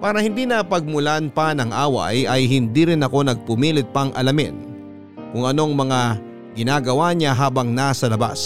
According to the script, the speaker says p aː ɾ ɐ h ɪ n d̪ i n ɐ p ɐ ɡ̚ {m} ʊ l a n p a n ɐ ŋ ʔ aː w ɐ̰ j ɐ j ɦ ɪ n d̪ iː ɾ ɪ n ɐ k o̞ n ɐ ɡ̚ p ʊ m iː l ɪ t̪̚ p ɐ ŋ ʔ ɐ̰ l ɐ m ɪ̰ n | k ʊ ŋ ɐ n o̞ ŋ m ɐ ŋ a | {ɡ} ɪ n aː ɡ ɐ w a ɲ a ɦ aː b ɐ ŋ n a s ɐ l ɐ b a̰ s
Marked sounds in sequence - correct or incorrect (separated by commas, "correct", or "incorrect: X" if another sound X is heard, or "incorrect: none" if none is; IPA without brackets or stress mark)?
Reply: correct, correct